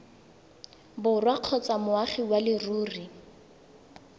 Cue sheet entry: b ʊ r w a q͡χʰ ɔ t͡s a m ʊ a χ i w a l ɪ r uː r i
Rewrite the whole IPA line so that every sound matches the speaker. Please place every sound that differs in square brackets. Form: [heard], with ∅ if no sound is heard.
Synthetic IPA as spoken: b ʊ r w a q͡χʰ ɔ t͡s a m ʊ a χ i w a l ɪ r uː r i